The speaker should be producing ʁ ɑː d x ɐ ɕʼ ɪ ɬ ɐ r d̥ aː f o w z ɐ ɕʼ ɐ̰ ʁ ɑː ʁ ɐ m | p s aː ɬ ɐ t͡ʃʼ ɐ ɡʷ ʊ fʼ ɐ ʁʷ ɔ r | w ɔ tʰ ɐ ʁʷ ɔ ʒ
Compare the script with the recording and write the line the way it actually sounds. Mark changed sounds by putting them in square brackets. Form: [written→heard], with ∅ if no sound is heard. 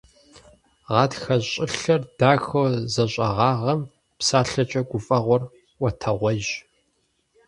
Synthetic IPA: ʁ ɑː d x ɐ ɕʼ ɪ ɬ ɐ r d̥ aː [f→x] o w z ɐ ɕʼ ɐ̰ ʁ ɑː ʁ ɐ m | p s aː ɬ ɐ t͡ʃʼ ɐ ɡʷ ʊ fʼ ɐ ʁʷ ɔ r | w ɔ tʰ ɐ ʁʷ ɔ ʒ